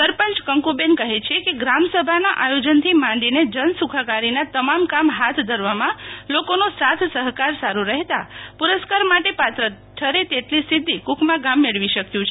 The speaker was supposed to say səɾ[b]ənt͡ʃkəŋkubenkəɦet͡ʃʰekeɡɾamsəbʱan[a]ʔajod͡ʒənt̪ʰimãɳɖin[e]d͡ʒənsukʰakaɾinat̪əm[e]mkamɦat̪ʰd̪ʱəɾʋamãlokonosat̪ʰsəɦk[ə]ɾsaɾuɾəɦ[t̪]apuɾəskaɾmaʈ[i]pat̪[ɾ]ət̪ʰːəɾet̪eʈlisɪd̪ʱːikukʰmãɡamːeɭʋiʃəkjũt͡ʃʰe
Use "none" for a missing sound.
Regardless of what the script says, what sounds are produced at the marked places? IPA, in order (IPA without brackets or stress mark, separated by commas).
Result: p, a, e, a, a, t̪, e, ɾ